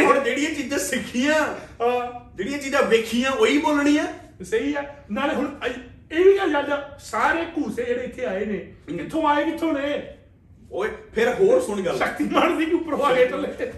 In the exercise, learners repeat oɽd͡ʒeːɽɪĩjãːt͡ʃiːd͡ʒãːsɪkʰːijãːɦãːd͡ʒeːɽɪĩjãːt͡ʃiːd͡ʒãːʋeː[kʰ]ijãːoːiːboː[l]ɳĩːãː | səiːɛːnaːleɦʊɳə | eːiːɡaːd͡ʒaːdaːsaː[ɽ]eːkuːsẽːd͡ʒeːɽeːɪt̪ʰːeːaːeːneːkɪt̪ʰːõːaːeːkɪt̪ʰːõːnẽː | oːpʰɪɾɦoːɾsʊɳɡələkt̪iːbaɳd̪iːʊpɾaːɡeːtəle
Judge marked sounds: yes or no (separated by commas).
yes, yes, no